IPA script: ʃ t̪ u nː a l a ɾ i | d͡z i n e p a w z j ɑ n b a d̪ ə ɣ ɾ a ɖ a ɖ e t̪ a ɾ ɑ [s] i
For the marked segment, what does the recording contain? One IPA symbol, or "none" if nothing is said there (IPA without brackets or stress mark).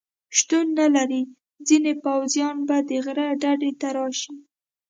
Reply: ʃ